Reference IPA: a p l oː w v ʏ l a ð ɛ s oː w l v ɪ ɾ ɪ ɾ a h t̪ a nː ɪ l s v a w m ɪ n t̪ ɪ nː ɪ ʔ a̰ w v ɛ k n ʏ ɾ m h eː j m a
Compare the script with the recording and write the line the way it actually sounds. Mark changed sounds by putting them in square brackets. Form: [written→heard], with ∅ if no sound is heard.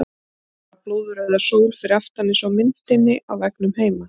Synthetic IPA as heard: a p l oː w [v→ð] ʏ [l→ɾ] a ð [ɛ→a] s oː w l [v→f] ɪ ɾ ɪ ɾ a [h→f] t̪ a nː ɪ [l→∅] s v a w m ɪ n t̪ ɪ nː ɪ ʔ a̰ w v ɛ k n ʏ [ɾ→∅] m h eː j m a